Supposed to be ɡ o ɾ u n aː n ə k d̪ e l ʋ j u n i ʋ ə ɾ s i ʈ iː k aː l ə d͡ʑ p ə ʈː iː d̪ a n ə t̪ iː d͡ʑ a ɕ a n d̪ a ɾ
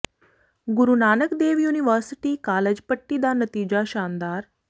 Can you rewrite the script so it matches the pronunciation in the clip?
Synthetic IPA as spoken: ɡ u ɾ u n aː n ə k d̪ e ʋ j u n i ʋ ə ɾ s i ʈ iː k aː l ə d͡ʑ p ə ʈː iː d̪ a n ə t̪ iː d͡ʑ a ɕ a n d̪ a ɾ